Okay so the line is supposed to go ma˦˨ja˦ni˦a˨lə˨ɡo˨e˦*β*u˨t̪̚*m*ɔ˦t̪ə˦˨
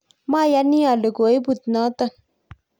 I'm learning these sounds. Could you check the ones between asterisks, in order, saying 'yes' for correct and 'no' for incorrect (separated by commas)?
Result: no, no